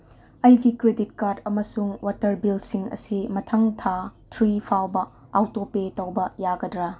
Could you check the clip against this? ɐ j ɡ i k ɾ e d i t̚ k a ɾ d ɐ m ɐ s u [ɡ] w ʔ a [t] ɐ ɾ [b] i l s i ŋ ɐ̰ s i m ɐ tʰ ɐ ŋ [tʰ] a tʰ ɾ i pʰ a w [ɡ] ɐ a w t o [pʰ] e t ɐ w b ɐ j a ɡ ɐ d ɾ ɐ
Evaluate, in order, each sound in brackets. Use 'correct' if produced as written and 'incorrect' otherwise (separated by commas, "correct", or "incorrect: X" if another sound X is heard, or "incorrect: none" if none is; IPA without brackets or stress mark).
incorrect: ŋ, correct, correct, correct, incorrect: b, incorrect: p